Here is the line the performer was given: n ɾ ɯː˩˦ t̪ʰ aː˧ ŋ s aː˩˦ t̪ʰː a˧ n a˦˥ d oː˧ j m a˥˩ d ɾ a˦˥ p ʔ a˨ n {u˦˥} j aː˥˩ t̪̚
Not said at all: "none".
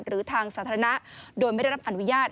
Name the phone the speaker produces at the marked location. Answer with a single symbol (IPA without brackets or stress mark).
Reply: u˦˥